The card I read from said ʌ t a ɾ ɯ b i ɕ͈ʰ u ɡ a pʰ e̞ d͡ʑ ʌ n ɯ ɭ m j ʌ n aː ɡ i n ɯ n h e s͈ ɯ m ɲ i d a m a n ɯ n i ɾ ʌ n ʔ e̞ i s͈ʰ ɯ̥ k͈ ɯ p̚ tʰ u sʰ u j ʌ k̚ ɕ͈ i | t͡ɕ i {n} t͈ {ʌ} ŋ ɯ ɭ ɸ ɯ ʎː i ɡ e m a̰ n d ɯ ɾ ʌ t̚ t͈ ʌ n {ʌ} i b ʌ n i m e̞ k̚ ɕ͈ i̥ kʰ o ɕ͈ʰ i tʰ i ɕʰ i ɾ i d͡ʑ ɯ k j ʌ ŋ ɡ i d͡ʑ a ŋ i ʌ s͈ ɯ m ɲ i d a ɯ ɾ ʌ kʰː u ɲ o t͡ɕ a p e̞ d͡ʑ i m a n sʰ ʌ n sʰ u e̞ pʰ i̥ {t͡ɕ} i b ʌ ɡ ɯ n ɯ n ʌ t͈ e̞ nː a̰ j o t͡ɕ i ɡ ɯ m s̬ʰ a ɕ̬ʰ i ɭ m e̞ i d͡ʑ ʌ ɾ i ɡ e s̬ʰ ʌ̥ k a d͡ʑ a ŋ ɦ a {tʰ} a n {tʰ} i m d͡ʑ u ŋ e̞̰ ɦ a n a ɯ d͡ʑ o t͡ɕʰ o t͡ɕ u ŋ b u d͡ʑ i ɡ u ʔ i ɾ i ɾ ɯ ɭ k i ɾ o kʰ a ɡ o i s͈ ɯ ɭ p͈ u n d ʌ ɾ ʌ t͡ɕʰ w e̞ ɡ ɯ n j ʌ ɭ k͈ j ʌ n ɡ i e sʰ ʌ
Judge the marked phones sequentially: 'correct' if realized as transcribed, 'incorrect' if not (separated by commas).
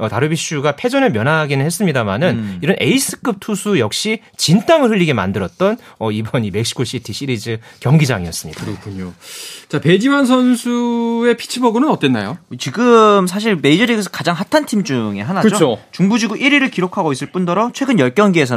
correct, incorrect, correct, incorrect, correct, correct